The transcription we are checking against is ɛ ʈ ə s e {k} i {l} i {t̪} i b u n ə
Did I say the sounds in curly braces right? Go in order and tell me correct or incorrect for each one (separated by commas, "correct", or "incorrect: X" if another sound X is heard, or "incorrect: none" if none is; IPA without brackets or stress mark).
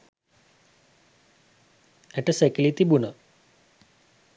correct, correct, correct